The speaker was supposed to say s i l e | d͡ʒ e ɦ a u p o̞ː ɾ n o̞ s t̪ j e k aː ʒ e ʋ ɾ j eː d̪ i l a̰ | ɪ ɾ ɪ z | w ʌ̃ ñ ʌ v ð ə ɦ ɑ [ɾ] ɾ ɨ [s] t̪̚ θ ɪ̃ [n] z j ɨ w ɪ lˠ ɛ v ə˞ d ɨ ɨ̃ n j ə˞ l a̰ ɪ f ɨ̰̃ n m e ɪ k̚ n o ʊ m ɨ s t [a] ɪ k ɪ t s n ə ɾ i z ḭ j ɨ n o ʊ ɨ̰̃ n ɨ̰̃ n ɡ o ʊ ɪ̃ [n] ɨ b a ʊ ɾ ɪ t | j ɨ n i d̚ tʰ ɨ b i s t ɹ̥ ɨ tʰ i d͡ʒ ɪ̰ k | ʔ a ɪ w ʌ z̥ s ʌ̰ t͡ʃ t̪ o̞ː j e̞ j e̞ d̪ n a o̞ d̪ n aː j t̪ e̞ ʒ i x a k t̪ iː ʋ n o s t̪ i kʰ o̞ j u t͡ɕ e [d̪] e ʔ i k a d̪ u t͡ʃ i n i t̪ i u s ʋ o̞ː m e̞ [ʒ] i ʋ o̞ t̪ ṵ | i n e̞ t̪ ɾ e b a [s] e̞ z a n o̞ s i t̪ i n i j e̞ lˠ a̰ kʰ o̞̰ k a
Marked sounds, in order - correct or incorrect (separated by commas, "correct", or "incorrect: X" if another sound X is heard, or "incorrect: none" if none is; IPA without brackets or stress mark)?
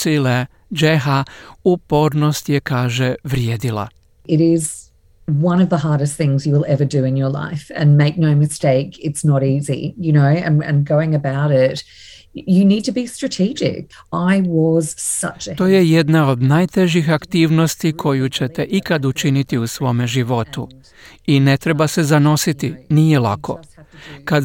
incorrect: ɹ, correct, incorrect: ŋ, incorrect: e, incorrect: ŋ, incorrect: t̪, correct, correct